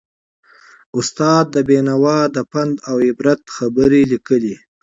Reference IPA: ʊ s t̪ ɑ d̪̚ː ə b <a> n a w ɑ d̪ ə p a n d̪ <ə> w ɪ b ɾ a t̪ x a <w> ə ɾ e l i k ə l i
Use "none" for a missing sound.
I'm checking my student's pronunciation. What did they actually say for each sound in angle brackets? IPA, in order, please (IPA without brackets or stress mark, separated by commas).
e, a, b